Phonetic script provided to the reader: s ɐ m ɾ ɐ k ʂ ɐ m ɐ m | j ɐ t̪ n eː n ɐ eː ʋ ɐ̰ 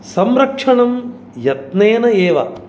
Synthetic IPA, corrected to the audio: s ɐ m ɾ ɐ k ʂ ɐ ɳ ɐ m | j ɐ t̪ n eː n ɐ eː ʋ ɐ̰